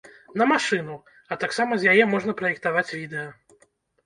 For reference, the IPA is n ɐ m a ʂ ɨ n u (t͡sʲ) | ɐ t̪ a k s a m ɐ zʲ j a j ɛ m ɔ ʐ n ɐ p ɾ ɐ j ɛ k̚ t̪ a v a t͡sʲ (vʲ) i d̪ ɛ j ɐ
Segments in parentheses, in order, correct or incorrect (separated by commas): incorrect, correct